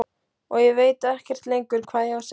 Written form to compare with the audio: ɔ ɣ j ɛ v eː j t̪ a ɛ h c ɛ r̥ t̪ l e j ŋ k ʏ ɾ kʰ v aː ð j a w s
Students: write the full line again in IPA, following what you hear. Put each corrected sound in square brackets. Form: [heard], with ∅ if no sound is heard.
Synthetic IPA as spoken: ɔ ɣ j ɛ v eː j t̪ a ɛ h c ɛ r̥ t̪ l e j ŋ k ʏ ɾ kʰ v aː ð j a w s